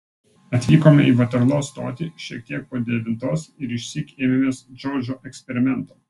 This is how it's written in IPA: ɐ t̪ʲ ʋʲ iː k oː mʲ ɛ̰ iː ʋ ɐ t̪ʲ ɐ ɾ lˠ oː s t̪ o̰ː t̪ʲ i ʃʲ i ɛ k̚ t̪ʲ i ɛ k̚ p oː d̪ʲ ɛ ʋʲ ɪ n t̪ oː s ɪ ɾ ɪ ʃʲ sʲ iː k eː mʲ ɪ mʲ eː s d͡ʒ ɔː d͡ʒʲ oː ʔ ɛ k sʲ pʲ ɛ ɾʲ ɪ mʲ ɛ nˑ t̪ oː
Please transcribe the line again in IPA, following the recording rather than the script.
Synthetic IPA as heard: ɐ t̪ʲ ʋʲ iː k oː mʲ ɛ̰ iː ʋ ɐ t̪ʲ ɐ ɾ lˠ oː s t̪ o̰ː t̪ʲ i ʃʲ i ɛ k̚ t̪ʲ i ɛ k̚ p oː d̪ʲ ɛ ʋʲ ɪ n t̪ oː s ɪ ɾ ɪ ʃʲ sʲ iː k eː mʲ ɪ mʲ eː s d͡ʒ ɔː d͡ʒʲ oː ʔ ɛ k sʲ pʲ ɛ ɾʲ ɪ mʲ ɛ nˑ t̪ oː